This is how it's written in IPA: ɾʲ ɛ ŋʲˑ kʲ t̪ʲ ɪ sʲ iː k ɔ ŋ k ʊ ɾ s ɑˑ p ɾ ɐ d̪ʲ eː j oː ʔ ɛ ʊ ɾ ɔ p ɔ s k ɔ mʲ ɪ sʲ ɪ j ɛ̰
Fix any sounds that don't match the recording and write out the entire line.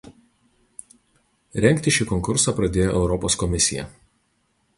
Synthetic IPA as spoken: ɾʲ ɛ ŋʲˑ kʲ t̪ʲ ɪ ʃʲ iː k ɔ ŋ k ʊ ɾ s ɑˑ p ɾ ɐ d̪ʲ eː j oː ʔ ɛ ʊ ɾ ɔ p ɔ s k ɔ mʲ ɪ sʲ ɪ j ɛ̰